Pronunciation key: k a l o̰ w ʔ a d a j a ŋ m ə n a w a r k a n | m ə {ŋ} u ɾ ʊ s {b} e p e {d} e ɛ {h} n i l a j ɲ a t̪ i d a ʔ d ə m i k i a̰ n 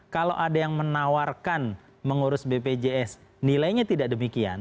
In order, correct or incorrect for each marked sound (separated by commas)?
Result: correct, correct, incorrect, incorrect